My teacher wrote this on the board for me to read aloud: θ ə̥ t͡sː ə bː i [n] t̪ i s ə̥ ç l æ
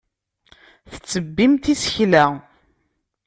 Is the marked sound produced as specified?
no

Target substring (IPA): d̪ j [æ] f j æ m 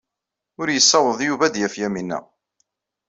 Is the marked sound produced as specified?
yes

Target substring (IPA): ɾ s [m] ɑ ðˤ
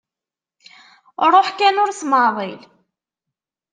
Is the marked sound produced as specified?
yes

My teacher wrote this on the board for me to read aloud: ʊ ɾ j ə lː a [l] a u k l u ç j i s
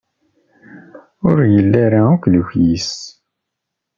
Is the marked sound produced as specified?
no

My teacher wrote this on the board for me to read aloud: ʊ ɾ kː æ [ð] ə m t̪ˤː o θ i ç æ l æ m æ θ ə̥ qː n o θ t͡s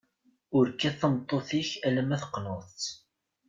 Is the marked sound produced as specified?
no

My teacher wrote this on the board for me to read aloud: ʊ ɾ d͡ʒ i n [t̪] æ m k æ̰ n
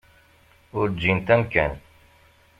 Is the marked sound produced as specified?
yes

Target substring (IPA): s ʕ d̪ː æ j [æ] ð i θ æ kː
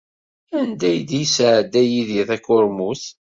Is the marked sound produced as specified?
no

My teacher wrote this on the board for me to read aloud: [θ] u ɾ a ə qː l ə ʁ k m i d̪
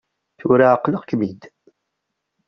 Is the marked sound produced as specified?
yes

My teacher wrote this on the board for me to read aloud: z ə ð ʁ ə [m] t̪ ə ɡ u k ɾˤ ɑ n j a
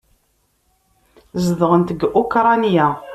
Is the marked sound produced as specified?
no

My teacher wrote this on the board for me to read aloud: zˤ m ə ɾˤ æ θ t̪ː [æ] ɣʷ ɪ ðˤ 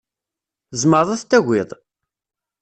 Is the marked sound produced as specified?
yes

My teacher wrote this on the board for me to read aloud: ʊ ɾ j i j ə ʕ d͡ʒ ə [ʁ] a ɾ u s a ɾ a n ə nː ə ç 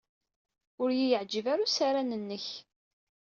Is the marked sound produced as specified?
no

